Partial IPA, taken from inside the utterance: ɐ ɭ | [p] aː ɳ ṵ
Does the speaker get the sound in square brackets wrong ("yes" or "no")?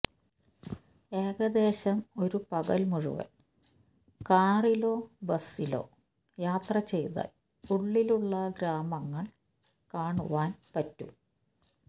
yes